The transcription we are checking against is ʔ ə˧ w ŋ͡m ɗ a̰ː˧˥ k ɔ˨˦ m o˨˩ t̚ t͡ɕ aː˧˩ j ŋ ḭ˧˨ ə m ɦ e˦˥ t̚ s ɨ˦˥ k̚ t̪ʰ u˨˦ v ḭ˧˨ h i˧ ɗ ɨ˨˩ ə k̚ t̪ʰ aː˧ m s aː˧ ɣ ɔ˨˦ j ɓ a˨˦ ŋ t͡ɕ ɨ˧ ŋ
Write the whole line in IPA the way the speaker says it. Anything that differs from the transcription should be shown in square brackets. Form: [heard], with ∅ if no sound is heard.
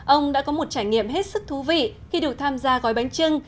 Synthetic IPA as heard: ʔ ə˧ w ŋ͡m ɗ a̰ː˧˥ k ɔ˨˦ m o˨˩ t̚ t͡ɕ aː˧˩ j ŋ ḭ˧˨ ə m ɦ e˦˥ t̚ s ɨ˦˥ k̚ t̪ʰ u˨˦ v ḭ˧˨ [x] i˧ ɗ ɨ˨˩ ə k̚ t̪ʰ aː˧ m [z] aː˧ ɣ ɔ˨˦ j ɓ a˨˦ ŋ t͡ɕ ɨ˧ ŋ